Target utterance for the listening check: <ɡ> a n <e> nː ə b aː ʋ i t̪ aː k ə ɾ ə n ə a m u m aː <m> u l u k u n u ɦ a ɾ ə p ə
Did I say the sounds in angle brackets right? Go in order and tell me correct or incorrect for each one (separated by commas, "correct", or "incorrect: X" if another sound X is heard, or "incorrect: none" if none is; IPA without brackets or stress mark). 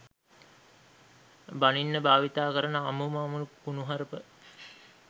incorrect: b, incorrect: i, correct